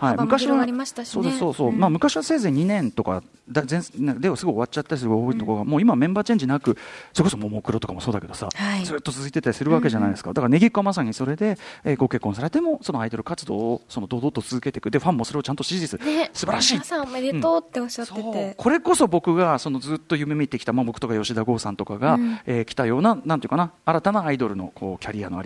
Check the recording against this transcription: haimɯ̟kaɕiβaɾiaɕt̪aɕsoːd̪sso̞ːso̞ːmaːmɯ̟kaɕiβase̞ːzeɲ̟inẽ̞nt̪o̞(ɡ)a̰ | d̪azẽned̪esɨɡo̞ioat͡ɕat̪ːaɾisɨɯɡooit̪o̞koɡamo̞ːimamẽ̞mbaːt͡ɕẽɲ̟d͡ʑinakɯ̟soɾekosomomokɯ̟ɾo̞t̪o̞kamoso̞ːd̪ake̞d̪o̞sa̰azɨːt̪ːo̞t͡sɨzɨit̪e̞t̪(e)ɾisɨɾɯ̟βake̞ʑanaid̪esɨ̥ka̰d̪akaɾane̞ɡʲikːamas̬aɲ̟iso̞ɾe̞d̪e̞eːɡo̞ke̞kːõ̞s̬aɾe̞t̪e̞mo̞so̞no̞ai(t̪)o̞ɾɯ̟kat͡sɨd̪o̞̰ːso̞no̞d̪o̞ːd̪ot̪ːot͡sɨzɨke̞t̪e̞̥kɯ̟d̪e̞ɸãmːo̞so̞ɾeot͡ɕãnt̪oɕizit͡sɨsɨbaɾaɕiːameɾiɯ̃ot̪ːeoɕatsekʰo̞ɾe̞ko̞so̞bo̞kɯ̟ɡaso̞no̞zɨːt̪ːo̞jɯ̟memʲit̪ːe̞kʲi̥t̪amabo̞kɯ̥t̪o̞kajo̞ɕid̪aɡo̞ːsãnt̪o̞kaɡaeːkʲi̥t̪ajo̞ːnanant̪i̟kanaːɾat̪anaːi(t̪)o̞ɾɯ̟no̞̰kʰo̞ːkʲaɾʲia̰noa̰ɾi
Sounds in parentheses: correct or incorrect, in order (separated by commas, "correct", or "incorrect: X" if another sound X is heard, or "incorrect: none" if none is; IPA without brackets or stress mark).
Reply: incorrect: k, incorrect: a, incorrect: d̪, incorrect: d̪